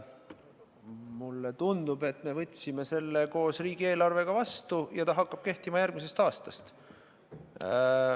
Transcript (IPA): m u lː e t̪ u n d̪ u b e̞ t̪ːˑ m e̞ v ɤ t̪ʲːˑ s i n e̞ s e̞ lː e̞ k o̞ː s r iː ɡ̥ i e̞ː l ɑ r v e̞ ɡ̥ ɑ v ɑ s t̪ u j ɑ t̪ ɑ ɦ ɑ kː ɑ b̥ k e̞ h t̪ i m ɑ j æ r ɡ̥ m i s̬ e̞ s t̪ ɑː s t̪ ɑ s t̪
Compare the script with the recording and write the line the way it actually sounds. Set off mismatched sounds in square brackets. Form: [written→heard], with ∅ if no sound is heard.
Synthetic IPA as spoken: m u lː e t̪ u n d̪ u b e̞ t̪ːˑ m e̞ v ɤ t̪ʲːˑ s i [n→m] e̞ s e̞ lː e̞ k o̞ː s r iː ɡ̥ i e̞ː l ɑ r v e̞ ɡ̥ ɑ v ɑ s t̪ u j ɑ t̪ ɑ ɦ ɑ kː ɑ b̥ k e̞ h t̪ i m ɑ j æ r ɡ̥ m i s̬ e̞ s t̪ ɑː s t̪ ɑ s t̪